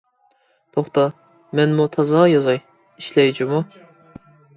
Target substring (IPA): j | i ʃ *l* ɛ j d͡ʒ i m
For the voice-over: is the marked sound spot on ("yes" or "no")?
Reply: yes